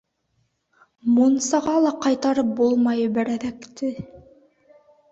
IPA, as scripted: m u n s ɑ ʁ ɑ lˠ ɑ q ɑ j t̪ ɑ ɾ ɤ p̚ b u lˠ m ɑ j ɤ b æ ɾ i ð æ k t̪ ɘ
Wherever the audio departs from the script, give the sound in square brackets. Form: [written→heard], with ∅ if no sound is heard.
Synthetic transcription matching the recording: m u n s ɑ ʁ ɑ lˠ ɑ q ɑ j t̪ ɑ ɾ ɤ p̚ b u lˠ m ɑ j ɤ b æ ɾ [i→æ] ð æ k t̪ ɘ